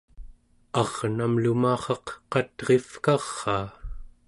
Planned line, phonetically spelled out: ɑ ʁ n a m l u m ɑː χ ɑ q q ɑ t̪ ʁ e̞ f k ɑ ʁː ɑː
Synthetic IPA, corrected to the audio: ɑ ʁ n a m l u m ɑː χ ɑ q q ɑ t̪ ʁ e̞ f k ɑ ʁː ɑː